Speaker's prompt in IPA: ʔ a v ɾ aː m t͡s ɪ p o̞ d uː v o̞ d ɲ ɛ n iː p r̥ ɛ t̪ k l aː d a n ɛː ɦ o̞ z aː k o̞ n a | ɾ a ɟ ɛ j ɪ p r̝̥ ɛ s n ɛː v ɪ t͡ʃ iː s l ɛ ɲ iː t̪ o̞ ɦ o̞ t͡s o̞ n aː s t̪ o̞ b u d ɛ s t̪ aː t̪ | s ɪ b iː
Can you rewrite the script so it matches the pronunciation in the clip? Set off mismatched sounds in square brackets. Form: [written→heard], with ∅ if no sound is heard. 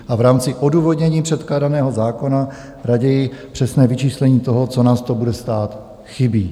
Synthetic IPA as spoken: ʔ a v ɾ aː m t͡s ɪ [p→ʔ] o̞ d uː v o̞ d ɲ ɛ [n→ɲ] iː p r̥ ɛ t̪ k l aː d a n ɛː ɦ o̞ z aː k o̞ n a | ɾ a ɟ ɛ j ɪ p r̝̥ ɛ s n ɛː v ɪ t͡ʃ iː s l ɛ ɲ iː t̪ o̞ ɦ o̞ t͡s o̞ n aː s t̪ o̞ b u d ɛ s t̪ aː t̪ | [s→x] ɪ b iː